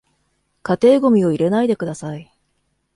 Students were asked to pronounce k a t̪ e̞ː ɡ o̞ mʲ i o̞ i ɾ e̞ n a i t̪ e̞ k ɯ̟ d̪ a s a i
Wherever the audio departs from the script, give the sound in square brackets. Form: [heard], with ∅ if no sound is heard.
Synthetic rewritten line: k a t̪ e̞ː ɡ o̞ mʲ i o̞ i ɾ e̞ n a i [d̪] e̞ k ɯ̟ d̪ a s a i